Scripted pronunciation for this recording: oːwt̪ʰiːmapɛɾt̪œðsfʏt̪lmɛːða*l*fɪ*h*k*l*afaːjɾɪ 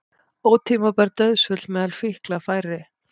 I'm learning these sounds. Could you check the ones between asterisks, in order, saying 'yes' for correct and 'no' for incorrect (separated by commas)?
yes, yes, yes